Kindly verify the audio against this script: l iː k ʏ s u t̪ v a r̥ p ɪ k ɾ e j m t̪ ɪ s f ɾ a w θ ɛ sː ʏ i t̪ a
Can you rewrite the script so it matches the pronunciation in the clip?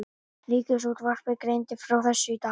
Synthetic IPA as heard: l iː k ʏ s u t̪ v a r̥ p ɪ k ɾ e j n t̪ ɪ f ɾ a w θ ɛ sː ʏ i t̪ a

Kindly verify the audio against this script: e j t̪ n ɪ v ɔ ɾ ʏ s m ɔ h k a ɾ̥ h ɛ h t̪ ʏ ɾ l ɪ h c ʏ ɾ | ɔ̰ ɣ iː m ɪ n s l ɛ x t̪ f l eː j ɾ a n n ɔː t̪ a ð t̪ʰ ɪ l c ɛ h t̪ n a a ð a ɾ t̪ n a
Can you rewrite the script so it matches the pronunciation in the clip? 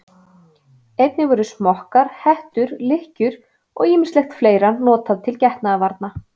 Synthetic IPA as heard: e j t̪ n ɪ v ɔ ɾ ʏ s m ɔ h k a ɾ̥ h ɛ h t̪ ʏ ɾ l ɪ h c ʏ ɾ | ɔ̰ ɣ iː m ɪ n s l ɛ x t̪ f l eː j ɾ a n n ɔː t̪ a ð t̪ʰ ɪ l c ɛ h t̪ n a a v a ɾ t̪ n a

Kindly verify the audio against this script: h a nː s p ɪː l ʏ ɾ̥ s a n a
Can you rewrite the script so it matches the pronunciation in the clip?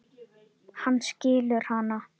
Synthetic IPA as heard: h a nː s c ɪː l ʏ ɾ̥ h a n a

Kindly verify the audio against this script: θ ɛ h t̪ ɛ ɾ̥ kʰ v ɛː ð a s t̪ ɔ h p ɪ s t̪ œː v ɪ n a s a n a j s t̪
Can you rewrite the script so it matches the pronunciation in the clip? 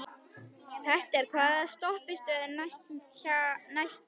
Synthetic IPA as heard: θ ɛ h t̪ ɛ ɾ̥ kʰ v aː ð a s t̪ ɔ h p ɪ s t̪ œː ð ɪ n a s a n a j s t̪

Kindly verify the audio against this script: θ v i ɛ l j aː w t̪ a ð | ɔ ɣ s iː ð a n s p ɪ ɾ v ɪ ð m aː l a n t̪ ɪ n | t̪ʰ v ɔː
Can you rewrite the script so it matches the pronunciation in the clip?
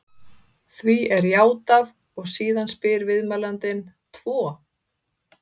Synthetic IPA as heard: θ v i ɛ ɾ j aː w t̪ a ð | ɔ ɣ s iː ð a n s p ɪ ɾ v ɪ ð m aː l a n t̪ ɪ n | t̪ʰ v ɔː

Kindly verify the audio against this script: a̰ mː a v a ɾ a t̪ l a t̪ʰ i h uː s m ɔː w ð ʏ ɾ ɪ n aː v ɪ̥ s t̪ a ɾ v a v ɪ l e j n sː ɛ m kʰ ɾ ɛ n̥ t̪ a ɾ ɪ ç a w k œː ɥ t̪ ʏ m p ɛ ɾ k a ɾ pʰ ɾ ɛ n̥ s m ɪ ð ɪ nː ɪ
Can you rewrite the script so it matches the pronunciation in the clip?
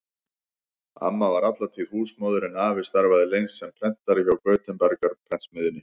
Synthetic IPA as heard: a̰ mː a v a ɾ a t̪ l a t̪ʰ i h uː s m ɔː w ð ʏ ɾ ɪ n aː v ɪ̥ s t̪ a ɾ v a ð ɪ l e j n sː ɛ m pʰ ɾ ɛ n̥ t̪ a ɾ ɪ ç a w k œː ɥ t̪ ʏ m p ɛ ɾ k a ɾ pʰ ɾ ɛ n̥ s m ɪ ð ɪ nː ɪ

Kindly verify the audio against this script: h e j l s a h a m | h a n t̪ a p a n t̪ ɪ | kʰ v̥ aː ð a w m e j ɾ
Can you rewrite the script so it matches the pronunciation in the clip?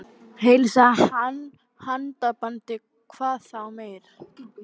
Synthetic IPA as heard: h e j l s a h a n | h a n t̪ a p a n t̪ ɪ | kʰ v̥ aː θ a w m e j ɾ

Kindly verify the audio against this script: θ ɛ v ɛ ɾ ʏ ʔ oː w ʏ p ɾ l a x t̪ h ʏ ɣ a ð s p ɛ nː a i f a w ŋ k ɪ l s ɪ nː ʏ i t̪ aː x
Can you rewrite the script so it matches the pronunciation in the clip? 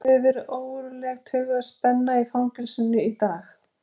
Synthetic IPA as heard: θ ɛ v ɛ ɾ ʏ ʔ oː w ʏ ɾ l ɛ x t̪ h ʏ ɣ a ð s p ɛ nː a i f a w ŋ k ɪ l s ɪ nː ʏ i t̪ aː x

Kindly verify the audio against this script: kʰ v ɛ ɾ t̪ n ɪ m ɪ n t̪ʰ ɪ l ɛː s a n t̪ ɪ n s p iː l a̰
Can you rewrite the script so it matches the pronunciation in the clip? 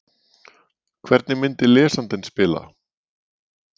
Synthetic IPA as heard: kʰ v ɛ ɾ t̪ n ɪ m ɪ n t̪ ɪ l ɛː s a n t̪ ɪ n s p ɪː l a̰

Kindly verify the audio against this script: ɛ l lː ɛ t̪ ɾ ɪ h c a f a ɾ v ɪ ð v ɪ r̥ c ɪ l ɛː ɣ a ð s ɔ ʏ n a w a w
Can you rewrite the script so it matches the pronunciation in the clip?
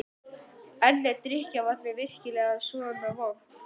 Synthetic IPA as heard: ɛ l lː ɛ t̪ ɾ ɪ h c a v a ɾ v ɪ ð v ɪ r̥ c ɪ l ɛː ɣ a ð s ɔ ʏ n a v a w

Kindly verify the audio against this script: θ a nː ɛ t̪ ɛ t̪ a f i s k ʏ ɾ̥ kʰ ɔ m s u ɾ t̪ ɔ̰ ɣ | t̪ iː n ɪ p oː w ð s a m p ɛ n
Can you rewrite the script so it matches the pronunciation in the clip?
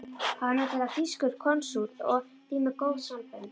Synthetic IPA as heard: h a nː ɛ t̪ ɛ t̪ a f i s k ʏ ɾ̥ kʰ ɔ n s u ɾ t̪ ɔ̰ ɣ | t̪ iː m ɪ k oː w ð s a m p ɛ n

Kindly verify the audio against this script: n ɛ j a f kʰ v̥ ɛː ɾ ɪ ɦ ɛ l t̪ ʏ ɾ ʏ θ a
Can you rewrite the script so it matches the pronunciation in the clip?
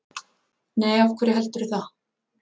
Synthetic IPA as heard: n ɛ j a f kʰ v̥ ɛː ɾ ɪ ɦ ɛ l t̪ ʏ ɾ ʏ θ a

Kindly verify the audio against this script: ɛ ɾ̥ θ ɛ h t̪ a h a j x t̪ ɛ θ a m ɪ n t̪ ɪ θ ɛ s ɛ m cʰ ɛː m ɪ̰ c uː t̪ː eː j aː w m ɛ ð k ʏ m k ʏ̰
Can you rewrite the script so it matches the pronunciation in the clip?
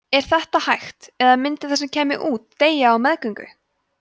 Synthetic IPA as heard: ɛ ɾ̥ θ ɛ h t̪ a h a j x t̪ ɛ ð a m ɪ n t̪ ɪ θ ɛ s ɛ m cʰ ɛː m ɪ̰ ʔ uː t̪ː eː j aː w m ɛ ð k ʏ ŋ k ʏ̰

